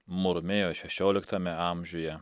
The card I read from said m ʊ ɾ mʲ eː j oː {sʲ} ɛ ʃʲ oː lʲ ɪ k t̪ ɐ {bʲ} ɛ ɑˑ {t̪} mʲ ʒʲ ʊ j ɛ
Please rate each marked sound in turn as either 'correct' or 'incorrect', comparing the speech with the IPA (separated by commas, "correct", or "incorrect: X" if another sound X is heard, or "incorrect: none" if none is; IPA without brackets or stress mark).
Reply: incorrect: ʃʲ, incorrect: mʲ, incorrect: none